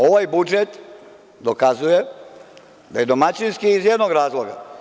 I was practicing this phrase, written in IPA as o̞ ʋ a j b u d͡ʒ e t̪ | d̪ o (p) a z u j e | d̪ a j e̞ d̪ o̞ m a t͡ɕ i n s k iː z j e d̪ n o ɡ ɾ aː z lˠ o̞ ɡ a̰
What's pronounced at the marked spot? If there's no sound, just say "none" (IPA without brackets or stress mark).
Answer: k